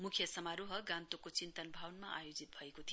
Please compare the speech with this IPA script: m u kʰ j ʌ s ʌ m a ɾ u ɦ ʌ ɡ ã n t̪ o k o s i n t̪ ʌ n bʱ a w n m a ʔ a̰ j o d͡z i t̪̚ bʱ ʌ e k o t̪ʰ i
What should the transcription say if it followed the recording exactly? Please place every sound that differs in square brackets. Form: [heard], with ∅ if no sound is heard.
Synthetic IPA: m u kʰ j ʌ s ʌ m a ɾ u ɦ ʌ ɡ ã n t̪ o k o [t͡s] i n t̪ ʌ n bʱ a w n m a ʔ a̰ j o d͡z i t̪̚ bʱ ʌ e k o t̪ʰ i